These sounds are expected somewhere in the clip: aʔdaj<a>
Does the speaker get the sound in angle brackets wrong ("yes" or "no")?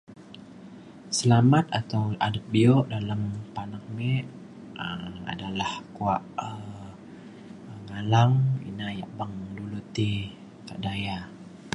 no